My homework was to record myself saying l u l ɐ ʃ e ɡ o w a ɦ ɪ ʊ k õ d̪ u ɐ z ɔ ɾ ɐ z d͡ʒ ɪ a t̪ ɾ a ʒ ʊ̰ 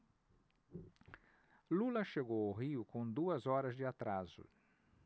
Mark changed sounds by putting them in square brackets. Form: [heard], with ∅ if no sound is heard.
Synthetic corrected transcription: l u l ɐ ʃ e ɡ o w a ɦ [i] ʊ k õ d̪ u ɐ z ɔ ɾ ɐ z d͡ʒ ɪ a t̪ ɾ a [z] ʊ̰